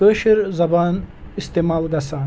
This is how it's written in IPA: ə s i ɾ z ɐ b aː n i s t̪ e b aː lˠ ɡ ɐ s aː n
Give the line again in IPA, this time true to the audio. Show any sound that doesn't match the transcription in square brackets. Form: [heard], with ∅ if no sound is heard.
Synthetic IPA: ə [ʃ] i ɾ z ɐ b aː n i s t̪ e [m] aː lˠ ɡ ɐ s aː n

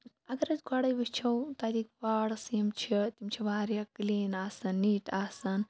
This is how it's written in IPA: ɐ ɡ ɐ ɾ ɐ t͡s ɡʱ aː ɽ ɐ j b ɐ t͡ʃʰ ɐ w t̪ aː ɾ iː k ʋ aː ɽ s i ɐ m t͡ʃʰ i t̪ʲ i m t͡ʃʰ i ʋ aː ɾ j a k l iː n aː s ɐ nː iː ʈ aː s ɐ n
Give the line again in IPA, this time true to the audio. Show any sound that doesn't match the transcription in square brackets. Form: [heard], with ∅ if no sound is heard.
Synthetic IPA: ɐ ɡ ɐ ɾ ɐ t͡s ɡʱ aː ɽ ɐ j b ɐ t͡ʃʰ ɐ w t̪ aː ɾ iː k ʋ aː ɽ s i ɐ m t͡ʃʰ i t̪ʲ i m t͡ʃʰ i ʋ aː ɾ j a k l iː n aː s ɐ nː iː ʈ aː s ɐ n

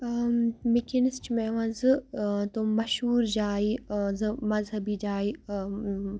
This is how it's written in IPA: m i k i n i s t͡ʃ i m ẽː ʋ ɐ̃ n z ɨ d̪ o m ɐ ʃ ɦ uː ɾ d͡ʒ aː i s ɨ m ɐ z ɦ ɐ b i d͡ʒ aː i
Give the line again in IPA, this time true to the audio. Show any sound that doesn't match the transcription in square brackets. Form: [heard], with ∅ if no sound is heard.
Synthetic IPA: m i k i n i s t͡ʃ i m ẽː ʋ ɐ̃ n z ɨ [t̪] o m ɐ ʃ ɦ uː ɾ d͡ʒ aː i [z] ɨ m ɐ z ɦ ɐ b i d͡ʒ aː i

